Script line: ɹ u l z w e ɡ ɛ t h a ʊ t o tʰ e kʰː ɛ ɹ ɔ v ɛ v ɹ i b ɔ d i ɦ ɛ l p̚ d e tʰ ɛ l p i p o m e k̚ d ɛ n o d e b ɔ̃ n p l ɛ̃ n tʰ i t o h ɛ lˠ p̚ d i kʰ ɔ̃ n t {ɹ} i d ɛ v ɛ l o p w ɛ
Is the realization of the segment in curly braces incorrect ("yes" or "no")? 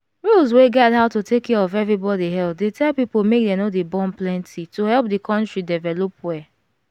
no